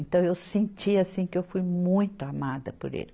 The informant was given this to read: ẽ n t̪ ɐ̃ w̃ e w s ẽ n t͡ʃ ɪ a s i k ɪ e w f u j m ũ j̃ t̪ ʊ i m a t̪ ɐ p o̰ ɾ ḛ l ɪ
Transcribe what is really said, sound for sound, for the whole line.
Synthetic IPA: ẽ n t̪ ɐ̃ w̃ e w s ẽ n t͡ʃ i a s ĩ k ɪ e w f u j m ũ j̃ t̪ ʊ a m a d̪ ɐ p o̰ ɾ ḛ l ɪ